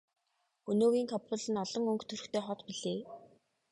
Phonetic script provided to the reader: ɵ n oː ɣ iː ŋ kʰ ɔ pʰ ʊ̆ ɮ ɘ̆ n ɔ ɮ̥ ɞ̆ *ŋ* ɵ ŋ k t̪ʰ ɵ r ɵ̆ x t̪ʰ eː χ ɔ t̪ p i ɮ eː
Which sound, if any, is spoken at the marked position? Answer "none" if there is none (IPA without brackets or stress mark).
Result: ŋ